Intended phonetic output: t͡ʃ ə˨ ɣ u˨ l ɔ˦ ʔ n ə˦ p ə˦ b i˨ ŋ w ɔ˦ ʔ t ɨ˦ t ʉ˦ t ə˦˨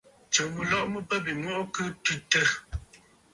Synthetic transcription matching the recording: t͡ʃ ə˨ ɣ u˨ l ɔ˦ ʔ m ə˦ p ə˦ b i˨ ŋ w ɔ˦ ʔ k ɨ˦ t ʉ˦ t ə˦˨

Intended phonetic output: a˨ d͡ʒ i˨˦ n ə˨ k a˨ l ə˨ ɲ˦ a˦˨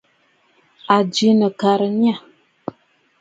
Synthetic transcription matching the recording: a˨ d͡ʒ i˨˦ n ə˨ k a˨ ɾ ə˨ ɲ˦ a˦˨

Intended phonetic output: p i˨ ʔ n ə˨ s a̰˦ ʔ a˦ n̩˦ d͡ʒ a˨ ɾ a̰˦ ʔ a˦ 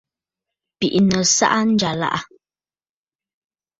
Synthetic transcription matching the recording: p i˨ ʔ n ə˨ s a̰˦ ʔ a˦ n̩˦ d͡ʒ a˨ l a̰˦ ʔ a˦

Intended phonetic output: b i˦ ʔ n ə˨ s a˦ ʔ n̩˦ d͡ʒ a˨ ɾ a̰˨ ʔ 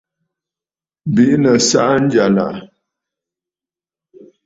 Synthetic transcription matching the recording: b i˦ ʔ n ə˨ s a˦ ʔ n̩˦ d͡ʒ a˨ l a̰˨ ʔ

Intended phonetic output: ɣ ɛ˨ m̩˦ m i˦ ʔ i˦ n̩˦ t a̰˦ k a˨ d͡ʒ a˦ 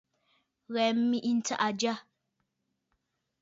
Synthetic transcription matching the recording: ɣ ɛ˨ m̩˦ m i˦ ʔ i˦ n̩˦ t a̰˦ ʔ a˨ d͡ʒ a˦

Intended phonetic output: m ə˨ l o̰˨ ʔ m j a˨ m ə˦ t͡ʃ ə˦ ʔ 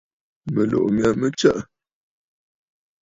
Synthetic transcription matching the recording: m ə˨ l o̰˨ ʔ m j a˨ m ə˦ t͡ʃ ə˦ ʔ

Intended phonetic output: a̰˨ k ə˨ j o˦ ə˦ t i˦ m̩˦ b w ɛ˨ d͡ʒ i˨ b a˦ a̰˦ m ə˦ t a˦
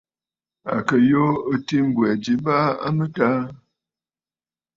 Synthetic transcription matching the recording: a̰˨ k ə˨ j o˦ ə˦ t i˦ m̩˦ b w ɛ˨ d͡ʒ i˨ b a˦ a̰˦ m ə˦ t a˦

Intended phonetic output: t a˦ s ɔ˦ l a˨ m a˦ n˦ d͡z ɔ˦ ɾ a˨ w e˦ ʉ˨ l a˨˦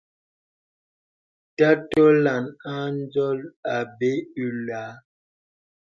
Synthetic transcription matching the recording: t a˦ t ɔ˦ l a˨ n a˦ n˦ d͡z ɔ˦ l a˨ b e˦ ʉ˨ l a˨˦

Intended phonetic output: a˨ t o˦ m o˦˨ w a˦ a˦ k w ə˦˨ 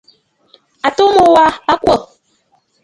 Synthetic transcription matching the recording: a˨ t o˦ m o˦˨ w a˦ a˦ k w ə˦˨

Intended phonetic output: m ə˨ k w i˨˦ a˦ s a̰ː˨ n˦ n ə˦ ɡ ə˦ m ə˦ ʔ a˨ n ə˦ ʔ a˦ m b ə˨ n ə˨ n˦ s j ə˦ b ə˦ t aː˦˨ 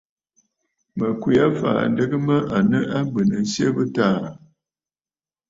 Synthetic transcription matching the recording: m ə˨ k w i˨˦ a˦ f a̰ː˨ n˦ d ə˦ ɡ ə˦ m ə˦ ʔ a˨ n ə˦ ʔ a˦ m b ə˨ n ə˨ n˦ s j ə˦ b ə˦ t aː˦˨

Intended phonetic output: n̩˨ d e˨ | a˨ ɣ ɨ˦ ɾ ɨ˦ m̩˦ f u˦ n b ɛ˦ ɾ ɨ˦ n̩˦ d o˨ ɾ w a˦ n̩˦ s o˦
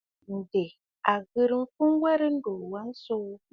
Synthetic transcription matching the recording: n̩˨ d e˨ | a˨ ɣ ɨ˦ ɾ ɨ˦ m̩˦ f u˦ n w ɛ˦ ɾ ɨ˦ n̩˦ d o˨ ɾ w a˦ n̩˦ s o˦

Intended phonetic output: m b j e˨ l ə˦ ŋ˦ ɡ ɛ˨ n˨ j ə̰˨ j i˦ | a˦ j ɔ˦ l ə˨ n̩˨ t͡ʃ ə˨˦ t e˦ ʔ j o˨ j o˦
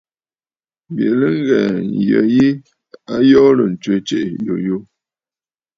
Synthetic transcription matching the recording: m b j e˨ l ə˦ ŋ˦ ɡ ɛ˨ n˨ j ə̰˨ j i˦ | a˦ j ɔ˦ l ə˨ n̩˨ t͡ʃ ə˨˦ t͡ʃ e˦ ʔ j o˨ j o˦

